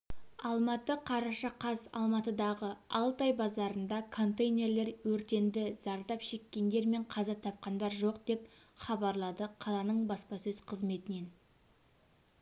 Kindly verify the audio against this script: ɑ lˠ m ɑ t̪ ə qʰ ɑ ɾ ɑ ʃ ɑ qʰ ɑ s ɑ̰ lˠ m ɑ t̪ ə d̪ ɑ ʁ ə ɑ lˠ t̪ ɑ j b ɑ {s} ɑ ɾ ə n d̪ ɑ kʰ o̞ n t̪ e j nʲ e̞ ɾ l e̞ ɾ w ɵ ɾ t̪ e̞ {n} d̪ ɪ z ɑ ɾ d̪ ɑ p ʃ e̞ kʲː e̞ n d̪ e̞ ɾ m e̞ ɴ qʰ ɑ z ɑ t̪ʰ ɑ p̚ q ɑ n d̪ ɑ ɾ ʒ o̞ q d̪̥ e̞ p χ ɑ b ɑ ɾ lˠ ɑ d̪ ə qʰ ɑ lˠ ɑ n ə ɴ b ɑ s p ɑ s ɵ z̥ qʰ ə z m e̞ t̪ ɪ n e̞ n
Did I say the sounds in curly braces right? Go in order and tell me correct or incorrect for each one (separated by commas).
incorrect, correct